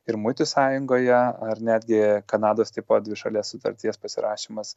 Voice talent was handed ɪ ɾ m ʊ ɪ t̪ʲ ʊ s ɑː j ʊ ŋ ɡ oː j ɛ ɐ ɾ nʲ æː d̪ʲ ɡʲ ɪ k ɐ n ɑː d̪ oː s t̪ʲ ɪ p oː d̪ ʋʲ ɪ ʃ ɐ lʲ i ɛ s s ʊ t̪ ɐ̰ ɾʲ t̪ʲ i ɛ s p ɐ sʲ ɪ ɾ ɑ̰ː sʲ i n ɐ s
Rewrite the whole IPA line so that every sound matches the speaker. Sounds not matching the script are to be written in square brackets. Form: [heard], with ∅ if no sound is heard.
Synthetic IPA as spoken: ɪ ɾ m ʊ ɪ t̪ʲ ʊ s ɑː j ʊ ŋ ɡ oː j ɛ ɐ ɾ nʲ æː d̪ʲ ɡʲ ɪ k ɐ n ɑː d̪ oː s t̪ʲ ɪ p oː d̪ ʋʲ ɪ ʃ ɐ lʲ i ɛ s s ʊ t̪ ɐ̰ ɾʲ t̪ʲ i ɛ s p ɐ sʲ ɪ ɾ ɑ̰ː [ʃʲ] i [m] ɐ s